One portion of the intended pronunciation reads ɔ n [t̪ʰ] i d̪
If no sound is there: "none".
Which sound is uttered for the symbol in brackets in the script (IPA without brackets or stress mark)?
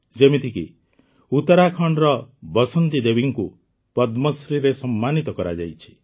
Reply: t̪